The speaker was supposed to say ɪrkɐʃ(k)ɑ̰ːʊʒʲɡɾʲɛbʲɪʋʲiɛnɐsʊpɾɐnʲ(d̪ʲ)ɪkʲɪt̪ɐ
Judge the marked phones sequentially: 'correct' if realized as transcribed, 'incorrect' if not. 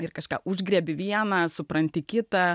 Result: correct, incorrect

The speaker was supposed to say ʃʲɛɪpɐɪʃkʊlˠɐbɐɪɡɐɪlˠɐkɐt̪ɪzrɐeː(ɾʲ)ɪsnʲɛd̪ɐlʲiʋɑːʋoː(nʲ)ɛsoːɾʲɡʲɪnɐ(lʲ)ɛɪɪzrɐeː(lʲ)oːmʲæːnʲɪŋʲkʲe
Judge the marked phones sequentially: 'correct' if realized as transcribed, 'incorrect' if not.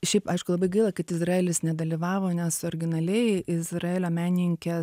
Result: incorrect, correct, correct, correct

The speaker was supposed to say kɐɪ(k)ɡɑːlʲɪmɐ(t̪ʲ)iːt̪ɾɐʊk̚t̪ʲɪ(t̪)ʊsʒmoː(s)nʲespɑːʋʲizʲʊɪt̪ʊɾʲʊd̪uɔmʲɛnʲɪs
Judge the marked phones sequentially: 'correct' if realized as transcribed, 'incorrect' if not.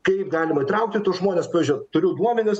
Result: incorrect, incorrect, correct, incorrect

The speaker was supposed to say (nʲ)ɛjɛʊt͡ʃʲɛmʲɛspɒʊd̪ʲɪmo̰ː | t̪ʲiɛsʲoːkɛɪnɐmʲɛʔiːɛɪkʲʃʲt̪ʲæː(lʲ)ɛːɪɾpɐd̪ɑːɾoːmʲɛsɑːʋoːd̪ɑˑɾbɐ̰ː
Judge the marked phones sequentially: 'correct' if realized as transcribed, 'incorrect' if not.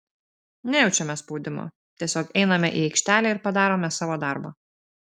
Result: correct, correct

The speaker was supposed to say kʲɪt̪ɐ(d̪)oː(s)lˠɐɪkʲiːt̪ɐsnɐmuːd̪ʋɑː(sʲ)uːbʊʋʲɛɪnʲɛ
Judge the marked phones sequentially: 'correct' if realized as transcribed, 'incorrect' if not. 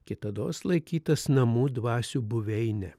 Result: correct, correct, correct

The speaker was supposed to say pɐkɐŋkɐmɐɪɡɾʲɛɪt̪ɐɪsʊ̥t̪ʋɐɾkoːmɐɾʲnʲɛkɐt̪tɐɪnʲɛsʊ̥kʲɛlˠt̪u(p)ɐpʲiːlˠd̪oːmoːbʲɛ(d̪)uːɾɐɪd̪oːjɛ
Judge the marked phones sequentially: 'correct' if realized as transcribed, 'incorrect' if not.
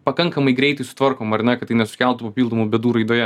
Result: correct, correct

